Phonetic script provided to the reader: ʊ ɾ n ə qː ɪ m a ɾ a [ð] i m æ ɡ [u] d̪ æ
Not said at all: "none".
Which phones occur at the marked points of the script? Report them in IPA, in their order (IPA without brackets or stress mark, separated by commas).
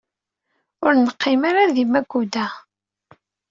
ð, u